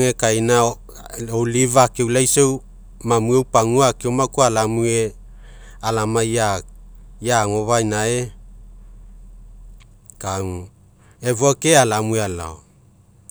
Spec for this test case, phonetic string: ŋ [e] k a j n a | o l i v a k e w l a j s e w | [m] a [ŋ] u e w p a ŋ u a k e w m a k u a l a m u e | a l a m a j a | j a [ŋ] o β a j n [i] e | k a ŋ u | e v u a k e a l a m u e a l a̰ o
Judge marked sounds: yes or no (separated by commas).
yes, yes, no, yes, no